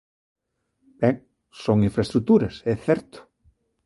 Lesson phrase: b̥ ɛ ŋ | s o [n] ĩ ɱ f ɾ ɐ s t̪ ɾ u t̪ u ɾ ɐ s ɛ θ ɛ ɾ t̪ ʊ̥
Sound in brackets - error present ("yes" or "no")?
yes